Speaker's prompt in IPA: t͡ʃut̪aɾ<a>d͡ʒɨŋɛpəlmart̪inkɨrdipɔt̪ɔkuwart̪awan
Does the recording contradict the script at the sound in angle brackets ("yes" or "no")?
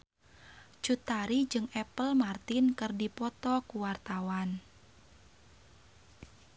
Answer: yes